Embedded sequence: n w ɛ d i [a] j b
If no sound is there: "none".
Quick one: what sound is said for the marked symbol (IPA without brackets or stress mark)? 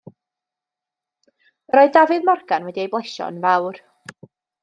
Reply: e